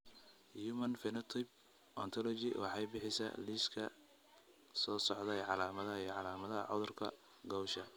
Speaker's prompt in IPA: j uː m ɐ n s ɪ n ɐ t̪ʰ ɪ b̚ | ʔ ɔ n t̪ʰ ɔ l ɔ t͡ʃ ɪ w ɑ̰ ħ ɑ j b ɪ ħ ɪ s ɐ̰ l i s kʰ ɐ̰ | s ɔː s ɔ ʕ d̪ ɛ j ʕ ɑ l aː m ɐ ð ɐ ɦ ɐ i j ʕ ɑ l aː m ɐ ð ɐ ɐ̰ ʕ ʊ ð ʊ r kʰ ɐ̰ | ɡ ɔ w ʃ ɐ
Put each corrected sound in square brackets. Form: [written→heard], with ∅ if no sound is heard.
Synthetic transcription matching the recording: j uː m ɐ n [s→f] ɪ n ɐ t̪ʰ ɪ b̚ | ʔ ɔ n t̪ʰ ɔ l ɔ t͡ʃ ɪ w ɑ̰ ħ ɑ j b ɪ ħ ɪ s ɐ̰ l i s kʰ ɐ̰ | s ɔː s ɔ ʕ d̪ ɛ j ʕ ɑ l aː m ɐ ð ɐ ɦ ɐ i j ʕ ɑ l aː m ɐ ð ɐ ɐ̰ ʕ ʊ ð ʊ r kʰ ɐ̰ | ɡ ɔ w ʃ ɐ